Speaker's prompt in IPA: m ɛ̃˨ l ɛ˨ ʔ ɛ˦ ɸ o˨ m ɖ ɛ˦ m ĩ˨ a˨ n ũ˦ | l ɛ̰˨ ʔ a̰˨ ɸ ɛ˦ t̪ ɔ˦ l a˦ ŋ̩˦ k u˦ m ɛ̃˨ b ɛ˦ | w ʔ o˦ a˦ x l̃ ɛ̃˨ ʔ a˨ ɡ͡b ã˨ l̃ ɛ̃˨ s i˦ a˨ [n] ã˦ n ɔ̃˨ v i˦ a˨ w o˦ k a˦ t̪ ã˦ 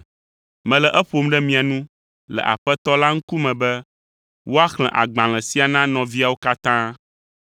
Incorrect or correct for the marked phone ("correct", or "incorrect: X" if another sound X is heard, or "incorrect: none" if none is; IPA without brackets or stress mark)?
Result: correct